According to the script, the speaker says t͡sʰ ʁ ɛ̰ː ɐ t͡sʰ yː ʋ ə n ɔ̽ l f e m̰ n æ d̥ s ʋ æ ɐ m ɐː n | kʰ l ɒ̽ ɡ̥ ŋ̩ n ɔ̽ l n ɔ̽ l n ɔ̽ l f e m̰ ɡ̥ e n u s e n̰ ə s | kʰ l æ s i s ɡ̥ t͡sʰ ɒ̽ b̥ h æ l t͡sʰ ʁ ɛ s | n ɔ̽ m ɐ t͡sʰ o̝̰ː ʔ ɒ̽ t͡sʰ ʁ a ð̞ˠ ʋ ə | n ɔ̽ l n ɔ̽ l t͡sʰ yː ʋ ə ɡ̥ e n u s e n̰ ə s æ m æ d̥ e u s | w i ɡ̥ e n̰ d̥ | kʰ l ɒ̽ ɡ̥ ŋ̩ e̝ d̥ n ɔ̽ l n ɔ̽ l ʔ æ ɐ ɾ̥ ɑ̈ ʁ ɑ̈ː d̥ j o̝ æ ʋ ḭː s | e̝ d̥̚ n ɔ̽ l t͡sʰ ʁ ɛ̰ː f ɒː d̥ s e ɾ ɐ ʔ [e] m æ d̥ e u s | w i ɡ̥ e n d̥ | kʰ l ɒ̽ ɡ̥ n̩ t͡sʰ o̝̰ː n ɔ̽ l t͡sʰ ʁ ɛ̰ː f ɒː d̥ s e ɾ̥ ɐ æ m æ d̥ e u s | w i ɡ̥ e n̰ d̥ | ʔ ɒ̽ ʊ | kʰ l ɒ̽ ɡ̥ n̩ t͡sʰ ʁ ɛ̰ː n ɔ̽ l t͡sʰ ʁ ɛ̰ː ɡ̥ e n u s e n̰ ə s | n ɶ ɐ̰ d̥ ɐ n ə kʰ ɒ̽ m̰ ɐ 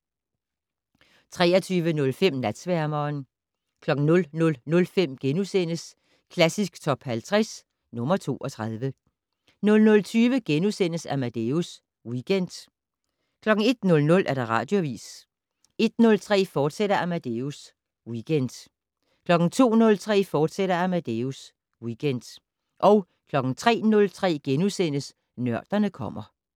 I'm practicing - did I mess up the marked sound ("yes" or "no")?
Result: yes